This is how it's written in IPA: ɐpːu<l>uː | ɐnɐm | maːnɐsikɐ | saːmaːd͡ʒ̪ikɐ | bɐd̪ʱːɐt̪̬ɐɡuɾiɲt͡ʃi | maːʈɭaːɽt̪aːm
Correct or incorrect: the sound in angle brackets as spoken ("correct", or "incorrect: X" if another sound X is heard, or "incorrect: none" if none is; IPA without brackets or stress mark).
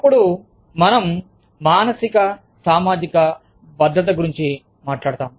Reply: incorrect: ɽ